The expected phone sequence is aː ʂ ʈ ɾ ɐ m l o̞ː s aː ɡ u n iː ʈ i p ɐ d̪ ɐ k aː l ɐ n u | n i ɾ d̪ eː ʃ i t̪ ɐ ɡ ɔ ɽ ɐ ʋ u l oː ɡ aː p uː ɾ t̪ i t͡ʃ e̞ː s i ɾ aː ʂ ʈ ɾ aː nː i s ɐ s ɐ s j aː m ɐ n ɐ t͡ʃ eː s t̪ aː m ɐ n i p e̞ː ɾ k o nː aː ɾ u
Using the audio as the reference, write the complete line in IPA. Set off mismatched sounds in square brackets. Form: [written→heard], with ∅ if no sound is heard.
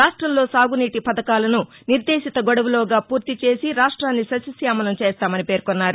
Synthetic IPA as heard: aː ʂ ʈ ɾ ɐ m l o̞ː s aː ɡ u n iː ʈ i p ɐ d̪ ɐ k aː l ɐ n u | n i ɾ d̪ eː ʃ i t̪ ɐ ɡ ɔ ɽ ɐ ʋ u l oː ɡ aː p uː ɾ t̪ i t͡ʃ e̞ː s i ɾ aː ʂ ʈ ɾ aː nː i s ɐ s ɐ s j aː m ɐ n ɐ t͡ʃ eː s t̪ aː m ɐ n i p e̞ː ɾ k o nː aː ɾ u